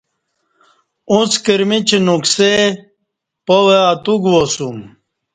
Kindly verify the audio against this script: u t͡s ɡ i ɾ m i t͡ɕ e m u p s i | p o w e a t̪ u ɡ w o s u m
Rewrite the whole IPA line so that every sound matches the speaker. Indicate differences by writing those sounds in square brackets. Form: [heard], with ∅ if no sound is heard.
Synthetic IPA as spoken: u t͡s [k] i ɾ m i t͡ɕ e [n] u [k] s [e] | p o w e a t̪ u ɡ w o s u m